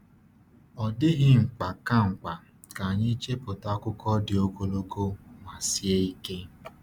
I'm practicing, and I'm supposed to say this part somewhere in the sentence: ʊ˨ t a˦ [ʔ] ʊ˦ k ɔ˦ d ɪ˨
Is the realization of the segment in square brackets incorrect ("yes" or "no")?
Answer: yes